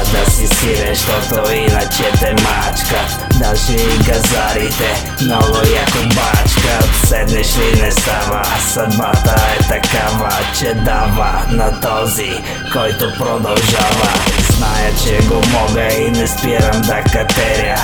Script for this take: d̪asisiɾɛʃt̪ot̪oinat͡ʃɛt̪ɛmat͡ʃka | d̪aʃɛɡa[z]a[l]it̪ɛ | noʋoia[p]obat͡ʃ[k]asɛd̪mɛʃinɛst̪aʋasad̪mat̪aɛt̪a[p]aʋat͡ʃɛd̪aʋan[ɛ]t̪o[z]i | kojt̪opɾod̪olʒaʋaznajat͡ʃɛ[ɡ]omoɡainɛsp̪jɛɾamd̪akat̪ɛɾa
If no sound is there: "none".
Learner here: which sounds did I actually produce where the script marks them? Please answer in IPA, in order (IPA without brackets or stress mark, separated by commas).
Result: z, ɾ, k, k, k, a, z, ɡ